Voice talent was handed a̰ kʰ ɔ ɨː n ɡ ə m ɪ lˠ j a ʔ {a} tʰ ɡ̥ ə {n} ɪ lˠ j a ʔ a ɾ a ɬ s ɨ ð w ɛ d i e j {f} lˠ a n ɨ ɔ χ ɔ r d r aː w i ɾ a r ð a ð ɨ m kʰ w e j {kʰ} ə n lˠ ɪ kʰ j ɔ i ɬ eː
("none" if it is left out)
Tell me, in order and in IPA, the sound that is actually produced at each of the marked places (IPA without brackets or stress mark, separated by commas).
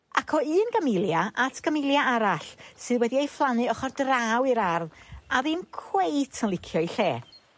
a, m, f, tʰ